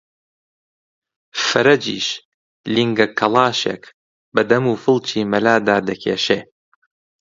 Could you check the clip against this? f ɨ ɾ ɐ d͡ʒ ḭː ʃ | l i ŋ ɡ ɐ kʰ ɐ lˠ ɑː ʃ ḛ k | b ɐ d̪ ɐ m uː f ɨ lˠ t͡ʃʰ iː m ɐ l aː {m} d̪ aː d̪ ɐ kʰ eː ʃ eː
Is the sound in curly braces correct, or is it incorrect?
incorrect: none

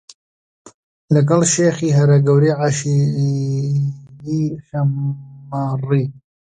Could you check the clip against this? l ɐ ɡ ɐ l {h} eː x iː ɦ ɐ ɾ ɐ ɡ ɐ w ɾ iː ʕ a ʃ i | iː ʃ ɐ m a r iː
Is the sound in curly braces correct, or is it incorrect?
incorrect: ʃ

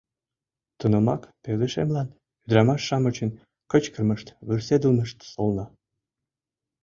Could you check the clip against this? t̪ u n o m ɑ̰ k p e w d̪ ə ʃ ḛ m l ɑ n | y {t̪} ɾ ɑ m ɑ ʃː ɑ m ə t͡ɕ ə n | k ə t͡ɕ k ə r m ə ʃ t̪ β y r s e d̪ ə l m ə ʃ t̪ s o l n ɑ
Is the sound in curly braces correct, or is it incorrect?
incorrect: d̪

